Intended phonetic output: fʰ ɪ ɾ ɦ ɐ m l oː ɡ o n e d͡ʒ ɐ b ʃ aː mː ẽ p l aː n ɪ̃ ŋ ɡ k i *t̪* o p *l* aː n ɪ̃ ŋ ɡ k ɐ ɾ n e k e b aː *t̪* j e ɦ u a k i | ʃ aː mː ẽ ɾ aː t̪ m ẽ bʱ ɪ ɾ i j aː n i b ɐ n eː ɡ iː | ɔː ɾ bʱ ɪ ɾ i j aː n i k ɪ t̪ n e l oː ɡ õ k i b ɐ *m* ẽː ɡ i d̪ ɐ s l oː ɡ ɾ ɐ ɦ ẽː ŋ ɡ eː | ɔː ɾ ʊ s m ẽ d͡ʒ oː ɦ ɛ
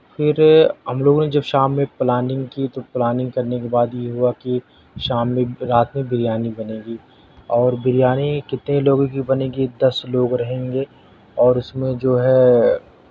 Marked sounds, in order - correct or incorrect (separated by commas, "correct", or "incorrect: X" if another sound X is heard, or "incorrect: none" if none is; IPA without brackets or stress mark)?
correct, correct, incorrect: d̪, incorrect: n